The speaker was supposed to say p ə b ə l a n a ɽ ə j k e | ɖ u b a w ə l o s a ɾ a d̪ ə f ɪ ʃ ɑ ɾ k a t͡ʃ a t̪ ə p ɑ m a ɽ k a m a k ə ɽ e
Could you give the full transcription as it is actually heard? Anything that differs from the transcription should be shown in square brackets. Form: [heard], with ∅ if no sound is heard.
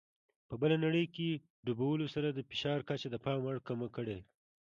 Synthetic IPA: p ə b ə l a n a ɽ ə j k e | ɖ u b a w ə l o s a ɾ a d̪ ə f ɪ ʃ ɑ ɾ k a t͡ʃ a [d̪] ə p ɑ m a ɽ k a m a k ə ɽ e